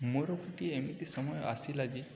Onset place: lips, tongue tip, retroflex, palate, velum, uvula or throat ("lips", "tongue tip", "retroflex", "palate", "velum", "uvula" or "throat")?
lips